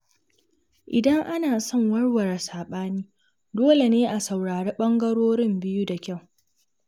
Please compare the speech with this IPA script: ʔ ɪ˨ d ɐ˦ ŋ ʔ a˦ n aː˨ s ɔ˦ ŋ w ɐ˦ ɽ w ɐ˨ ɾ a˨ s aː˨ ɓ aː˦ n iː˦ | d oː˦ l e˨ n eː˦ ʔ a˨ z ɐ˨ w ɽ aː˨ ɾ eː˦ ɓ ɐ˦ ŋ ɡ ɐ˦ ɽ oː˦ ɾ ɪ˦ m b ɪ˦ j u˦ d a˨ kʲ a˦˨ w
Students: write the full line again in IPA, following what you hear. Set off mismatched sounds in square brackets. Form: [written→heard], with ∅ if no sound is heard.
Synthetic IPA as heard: ʔ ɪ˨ d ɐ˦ ŋ ʔ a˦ n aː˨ s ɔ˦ ŋ w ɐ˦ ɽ w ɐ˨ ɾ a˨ s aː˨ ɓ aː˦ n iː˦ | d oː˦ l e˨ n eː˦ ʔ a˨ [z→s] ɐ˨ w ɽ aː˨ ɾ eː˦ ɓ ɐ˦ ŋ ɡ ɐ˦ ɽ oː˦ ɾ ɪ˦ m b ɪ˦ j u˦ d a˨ kʲ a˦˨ w